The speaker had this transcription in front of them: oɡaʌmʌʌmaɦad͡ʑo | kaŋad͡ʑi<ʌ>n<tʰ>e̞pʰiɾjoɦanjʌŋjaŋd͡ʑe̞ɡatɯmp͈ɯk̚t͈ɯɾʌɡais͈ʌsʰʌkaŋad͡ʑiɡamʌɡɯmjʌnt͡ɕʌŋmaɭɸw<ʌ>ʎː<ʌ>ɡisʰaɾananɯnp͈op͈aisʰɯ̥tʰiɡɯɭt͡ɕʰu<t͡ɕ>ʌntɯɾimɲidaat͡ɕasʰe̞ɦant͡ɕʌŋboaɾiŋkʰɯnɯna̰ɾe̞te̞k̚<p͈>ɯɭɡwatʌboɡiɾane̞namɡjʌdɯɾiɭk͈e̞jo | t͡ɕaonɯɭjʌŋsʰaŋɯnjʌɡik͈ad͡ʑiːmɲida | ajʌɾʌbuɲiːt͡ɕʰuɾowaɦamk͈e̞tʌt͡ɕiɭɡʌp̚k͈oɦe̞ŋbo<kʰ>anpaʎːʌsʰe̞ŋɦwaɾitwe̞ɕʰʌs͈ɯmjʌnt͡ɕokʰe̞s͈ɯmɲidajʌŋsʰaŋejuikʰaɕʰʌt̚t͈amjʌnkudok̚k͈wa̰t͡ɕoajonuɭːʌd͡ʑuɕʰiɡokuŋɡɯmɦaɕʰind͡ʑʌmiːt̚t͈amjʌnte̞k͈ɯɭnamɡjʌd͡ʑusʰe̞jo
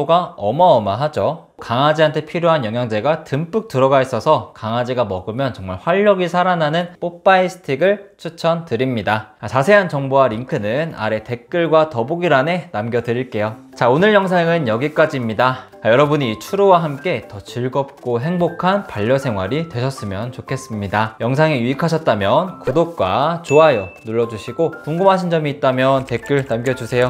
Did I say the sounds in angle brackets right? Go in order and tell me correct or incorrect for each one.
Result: incorrect, correct, incorrect, correct, incorrect, incorrect, correct

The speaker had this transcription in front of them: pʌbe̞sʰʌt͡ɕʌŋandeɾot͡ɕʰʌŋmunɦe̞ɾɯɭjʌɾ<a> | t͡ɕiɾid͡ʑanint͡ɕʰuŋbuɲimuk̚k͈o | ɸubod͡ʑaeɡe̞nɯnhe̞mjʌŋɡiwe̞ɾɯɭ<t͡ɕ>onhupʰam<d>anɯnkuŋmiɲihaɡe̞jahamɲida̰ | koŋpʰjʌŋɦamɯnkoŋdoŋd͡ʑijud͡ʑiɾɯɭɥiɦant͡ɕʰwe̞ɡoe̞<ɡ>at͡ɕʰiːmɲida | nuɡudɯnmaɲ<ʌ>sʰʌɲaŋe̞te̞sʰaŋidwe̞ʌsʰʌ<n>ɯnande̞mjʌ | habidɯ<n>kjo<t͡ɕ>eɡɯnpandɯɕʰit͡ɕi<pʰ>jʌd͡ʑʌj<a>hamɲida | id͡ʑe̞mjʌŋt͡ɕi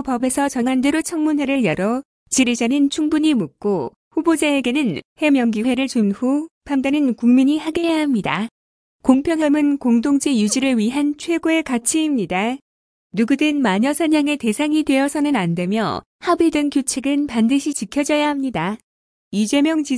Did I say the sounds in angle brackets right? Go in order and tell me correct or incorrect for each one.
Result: incorrect, correct, correct, incorrect, correct, correct, incorrect, incorrect, incorrect, correct

